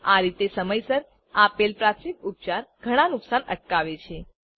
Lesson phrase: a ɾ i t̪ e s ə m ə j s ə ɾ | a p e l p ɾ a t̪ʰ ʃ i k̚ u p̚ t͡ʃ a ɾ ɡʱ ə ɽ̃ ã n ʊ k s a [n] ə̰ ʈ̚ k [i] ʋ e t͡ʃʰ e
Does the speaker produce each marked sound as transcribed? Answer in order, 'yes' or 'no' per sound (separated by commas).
yes, no